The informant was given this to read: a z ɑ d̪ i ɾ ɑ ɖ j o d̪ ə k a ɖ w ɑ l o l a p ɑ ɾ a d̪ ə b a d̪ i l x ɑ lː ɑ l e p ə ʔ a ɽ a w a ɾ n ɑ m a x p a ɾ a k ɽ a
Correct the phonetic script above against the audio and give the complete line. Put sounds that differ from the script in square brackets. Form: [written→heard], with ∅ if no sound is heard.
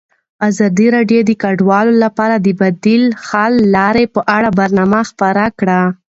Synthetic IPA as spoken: a z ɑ d̪ i ɾ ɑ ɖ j o d̪ ə k a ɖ w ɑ l o l a p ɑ ɾ a d̪ ə b a d̪ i l x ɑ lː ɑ [l→ɾ] e p ə ʔ a ɽ a [w→b] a ɾ n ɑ m a x p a ɾ a k ɽ a